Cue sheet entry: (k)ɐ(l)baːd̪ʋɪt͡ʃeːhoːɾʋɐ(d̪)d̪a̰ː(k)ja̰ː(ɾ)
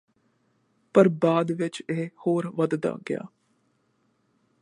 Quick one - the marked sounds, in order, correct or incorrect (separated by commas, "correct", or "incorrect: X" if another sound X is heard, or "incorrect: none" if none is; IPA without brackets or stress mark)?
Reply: incorrect: p, incorrect: ɾ, correct, incorrect: ɡ, incorrect: none